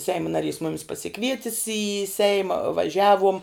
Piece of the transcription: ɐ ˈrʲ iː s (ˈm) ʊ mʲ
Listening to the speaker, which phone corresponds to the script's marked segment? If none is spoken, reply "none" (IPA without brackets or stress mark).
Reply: m